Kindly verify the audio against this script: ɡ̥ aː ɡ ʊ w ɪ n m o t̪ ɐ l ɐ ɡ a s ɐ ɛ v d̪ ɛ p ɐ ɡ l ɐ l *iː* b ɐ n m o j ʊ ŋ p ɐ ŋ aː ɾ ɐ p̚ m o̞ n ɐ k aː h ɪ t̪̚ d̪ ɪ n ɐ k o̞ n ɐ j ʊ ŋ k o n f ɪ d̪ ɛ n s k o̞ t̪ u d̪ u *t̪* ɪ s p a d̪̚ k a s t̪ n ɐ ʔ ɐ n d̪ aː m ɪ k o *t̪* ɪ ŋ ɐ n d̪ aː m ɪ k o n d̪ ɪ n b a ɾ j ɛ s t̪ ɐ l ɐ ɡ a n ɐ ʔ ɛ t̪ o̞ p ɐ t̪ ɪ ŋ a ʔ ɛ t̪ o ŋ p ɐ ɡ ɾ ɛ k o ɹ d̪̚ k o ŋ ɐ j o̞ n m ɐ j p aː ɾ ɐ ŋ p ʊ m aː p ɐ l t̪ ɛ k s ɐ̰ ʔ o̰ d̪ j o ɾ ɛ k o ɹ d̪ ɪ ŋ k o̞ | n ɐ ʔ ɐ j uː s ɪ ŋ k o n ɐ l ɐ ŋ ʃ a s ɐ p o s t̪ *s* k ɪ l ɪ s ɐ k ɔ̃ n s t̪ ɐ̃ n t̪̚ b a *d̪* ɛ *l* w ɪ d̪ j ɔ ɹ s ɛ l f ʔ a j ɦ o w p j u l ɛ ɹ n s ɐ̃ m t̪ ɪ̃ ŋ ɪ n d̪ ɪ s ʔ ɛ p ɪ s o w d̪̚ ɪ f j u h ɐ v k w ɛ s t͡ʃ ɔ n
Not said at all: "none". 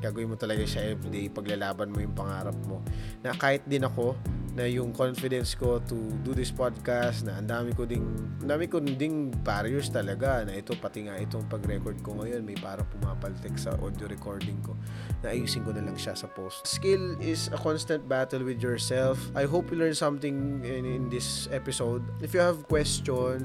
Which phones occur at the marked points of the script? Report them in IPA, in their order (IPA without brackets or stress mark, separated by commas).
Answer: aː, d̪, d̪, s, t̪, l